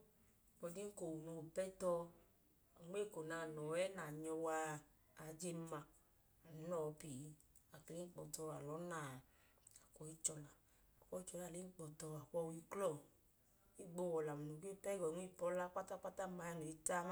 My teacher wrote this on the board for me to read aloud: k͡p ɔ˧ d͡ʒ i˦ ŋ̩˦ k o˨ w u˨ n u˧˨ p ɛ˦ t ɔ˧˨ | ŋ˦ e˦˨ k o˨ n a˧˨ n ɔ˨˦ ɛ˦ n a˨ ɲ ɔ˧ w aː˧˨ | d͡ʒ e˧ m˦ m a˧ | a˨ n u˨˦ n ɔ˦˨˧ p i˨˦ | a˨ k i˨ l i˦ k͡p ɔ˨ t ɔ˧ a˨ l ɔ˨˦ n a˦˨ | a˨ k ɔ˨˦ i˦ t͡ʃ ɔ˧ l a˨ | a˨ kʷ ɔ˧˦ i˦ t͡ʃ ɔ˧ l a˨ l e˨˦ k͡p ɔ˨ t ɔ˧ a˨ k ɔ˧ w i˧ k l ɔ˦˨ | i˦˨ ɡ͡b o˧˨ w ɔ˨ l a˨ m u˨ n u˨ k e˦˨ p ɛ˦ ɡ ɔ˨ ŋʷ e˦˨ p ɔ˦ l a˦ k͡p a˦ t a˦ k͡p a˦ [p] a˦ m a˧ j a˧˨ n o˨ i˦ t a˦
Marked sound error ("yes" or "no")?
yes